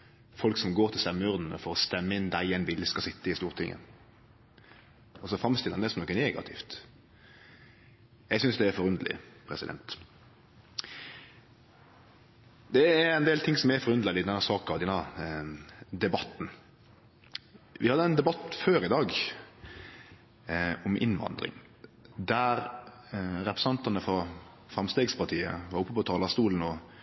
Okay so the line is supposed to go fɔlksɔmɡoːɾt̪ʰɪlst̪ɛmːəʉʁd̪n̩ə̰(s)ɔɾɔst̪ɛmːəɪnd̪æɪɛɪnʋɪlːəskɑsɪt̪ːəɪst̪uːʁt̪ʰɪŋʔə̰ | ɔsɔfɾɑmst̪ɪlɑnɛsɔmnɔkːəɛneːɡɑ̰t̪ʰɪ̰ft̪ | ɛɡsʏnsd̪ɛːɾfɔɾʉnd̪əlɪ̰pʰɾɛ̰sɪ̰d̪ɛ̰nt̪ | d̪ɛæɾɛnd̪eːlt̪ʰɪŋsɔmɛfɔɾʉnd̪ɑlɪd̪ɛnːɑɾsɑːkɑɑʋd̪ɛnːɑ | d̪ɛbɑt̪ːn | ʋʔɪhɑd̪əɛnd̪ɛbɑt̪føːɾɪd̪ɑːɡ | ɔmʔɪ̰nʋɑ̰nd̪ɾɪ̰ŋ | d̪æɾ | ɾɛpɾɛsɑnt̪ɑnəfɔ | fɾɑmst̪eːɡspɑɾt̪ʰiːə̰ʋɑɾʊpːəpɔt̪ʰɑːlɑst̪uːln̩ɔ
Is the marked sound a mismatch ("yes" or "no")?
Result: yes